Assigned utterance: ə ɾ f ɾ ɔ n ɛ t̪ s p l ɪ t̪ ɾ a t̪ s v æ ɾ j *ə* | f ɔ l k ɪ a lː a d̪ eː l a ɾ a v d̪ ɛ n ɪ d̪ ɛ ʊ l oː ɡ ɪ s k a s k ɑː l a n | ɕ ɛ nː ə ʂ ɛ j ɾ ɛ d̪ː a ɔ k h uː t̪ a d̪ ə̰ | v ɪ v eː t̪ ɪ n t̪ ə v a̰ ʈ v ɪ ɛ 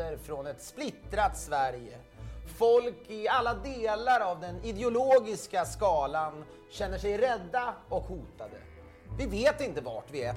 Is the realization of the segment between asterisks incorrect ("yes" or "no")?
no